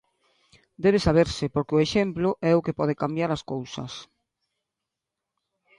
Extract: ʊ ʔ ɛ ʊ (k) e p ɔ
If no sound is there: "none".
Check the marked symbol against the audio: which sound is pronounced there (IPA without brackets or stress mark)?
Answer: k